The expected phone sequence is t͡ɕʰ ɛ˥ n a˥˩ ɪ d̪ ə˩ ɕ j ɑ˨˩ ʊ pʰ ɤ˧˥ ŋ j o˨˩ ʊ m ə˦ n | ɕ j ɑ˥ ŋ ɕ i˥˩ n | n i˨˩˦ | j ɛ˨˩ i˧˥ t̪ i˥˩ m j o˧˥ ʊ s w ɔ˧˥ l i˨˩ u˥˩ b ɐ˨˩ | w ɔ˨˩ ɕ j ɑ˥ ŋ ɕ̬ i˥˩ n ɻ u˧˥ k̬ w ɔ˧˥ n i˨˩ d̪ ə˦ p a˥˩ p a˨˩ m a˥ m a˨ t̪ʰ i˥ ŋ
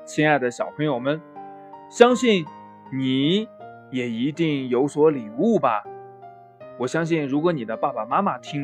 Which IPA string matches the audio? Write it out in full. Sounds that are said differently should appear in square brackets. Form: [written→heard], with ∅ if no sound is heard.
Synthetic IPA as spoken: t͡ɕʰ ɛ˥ n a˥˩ ɪ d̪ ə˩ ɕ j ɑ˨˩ ʊ pʰ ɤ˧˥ ŋ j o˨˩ ʊ m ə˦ n | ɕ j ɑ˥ ŋ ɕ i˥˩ n | n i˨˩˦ | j ɛ˨˩ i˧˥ t̪ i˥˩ [m→ŋ] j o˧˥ ʊ s w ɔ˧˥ l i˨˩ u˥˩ b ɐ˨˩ | w ɔ˨˩ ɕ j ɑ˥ ŋ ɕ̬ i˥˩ n ɻ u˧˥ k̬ w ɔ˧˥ n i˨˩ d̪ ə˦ p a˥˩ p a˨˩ m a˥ m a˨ t̪ʰ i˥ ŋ